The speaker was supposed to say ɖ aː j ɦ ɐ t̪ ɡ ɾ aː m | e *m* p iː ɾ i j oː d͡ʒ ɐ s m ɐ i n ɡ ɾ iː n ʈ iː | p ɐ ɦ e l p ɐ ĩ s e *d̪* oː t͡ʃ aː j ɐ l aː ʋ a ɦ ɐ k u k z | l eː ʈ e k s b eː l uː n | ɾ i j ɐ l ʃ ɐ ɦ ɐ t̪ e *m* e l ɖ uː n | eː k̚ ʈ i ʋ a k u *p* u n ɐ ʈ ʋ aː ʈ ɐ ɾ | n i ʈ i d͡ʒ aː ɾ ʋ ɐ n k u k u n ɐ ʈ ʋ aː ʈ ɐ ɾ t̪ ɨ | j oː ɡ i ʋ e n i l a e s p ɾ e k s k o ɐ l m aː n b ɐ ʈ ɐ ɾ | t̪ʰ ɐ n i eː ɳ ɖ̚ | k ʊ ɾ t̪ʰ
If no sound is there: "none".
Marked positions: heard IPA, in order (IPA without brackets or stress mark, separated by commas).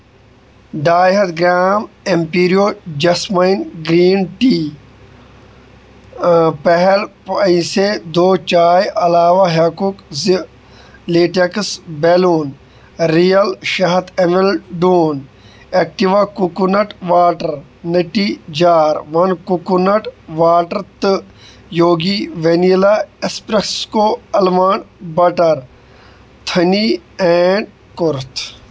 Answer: m, d̪, m, k